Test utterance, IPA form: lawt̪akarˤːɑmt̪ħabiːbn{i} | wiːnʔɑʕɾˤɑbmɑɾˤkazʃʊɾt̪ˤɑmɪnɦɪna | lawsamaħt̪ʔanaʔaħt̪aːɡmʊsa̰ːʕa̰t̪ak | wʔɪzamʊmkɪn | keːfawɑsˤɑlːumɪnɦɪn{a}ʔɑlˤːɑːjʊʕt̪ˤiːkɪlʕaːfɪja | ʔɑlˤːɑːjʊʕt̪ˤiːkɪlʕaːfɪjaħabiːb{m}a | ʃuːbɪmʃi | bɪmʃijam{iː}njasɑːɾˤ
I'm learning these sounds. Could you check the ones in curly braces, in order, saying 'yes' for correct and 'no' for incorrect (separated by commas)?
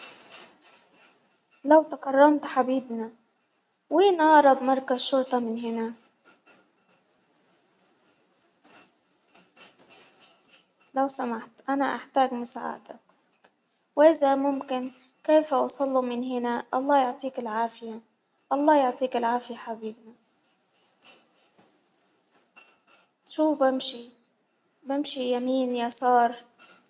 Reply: no, yes, no, yes